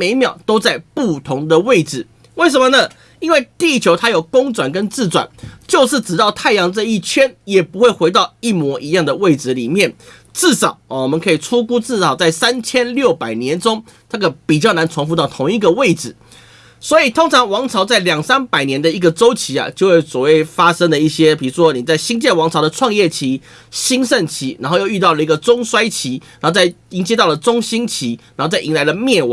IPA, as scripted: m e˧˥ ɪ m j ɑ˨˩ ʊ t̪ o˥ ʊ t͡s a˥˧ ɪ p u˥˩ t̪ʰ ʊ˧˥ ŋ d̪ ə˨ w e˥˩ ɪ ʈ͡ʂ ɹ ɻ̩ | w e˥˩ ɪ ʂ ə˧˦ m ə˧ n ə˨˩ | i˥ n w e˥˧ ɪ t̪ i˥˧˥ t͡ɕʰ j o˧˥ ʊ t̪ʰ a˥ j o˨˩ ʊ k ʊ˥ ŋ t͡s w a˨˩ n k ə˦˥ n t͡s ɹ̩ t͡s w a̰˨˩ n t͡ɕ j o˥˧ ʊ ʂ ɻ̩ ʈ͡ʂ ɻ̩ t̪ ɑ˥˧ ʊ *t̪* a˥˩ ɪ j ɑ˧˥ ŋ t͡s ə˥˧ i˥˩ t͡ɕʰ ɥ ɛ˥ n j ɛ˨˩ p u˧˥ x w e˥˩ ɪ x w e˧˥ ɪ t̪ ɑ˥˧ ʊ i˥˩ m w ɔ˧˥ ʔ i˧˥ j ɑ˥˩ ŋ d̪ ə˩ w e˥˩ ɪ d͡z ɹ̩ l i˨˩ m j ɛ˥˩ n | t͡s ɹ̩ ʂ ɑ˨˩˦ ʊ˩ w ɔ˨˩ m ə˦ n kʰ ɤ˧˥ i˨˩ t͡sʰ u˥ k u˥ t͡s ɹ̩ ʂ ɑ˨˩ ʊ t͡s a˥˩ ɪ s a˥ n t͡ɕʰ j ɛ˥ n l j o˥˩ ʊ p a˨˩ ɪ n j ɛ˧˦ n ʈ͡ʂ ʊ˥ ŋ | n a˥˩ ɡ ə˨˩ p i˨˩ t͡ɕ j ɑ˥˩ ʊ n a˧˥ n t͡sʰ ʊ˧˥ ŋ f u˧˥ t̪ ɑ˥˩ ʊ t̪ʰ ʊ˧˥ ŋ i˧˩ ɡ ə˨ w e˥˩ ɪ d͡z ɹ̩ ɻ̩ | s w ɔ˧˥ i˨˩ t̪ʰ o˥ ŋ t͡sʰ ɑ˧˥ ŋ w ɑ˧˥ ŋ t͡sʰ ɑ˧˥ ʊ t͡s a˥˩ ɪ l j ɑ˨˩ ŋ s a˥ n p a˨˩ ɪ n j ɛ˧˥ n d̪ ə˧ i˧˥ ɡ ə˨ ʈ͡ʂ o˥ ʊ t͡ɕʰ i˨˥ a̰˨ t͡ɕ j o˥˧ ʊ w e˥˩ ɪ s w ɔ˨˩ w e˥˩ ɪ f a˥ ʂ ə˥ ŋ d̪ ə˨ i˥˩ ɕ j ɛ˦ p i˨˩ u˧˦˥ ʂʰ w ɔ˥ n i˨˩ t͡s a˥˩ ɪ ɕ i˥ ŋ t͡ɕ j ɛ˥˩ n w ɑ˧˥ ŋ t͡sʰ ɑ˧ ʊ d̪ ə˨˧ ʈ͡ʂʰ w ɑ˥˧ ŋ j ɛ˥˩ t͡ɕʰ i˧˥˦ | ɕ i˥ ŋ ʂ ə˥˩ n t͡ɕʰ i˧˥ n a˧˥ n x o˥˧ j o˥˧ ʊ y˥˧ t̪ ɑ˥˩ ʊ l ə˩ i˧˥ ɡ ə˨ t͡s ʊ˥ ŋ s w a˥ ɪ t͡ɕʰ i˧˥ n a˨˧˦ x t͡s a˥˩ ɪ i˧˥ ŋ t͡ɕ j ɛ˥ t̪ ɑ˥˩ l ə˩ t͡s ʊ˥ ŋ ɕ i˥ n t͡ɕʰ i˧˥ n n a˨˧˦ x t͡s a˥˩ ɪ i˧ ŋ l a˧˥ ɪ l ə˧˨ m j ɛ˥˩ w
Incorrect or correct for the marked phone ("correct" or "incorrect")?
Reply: incorrect